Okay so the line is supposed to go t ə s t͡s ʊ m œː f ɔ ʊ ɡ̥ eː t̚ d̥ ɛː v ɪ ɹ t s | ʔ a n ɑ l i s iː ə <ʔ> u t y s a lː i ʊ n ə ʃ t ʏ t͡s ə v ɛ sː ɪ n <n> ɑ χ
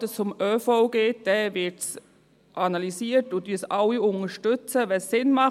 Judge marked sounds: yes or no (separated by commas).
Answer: no, no